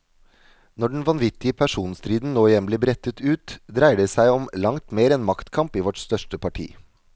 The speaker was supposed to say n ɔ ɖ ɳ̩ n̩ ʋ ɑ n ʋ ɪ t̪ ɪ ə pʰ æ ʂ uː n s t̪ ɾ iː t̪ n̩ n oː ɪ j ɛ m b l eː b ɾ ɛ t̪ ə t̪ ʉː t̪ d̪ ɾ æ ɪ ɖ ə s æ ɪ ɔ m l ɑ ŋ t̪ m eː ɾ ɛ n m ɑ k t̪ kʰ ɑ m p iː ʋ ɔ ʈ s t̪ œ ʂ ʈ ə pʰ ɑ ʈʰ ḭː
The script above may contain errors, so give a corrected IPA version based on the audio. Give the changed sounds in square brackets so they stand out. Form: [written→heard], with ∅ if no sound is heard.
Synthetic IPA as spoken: n ɔ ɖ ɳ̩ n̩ ʋ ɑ n ʋ ɪ t̪ ɪ ə pʰ æ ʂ uː n s t̪ ɾ iː [t̪→d̪] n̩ n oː ɪ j ɛ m b l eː b ɾ ɛ t̪ ə t̪ ʉː t̪ d̪ ɾ æ ɪ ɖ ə s æ ɪ ɔ m l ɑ ŋ t̪ m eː ɾ ɛ n m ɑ k t̪ kʰ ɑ m p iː ʋ ɔ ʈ s t̪ œ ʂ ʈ ə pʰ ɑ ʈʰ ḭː